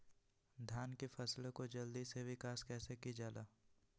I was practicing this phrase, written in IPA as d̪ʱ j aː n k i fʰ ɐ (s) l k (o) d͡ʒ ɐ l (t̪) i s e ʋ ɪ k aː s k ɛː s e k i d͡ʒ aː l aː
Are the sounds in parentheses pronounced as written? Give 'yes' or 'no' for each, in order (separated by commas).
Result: yes, yes, no